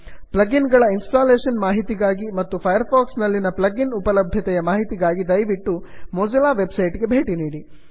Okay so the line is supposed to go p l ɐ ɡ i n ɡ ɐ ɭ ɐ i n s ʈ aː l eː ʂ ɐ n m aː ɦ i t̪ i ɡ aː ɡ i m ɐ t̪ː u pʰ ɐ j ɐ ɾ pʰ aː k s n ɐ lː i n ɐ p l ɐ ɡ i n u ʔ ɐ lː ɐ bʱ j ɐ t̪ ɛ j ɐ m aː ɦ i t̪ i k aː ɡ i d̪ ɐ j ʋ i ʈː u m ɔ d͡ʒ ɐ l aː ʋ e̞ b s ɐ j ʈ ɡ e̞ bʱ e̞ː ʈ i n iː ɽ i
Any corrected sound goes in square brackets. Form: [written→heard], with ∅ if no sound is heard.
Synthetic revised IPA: p l ɐ ɡ i n ɡ ɐ ɭ ɐ i n s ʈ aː l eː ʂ ɐ n m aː ɦ i t̪ i ɡ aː ɡ i m ɐ t̪ː u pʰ ɐ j ɐ ɾ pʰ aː k s n ɐ lː i n ɐ p l ɐ ɡ i n u [ʔ→p] ɐ [lː→l] ɐ bʱ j ɐ t̪ ɛ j ɐ m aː ɦ i t̪ i [k→ɡ] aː ɡ i d̪ ɐ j ʋ i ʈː u m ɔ d͡ʒ ɐ l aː ʋ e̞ b s ɐ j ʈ ɡ e̞ bʱ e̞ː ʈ i n iː ɽ i